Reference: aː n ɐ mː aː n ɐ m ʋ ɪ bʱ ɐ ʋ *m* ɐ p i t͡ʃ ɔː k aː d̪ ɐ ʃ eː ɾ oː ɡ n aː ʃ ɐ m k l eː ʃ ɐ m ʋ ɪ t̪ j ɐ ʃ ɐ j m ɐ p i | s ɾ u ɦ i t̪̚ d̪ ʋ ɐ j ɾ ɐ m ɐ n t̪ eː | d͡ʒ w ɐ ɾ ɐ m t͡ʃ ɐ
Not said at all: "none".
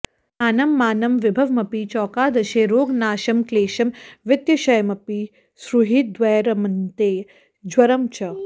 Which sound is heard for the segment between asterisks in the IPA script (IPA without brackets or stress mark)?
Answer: m